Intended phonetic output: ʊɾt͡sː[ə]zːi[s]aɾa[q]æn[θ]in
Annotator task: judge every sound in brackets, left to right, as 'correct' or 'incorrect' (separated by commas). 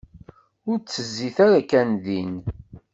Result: correct, incorrect, incorrect, incorrect